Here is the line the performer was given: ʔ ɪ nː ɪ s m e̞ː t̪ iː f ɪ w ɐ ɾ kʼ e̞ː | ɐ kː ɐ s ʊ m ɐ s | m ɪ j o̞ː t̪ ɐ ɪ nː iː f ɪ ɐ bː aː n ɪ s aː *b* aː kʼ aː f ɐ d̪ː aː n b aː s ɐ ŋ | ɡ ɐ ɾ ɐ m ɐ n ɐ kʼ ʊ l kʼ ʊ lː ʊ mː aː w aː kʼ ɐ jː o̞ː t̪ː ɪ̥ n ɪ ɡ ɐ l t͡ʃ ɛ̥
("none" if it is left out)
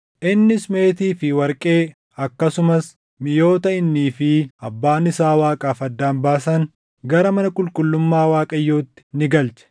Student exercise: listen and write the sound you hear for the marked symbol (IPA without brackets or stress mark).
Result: w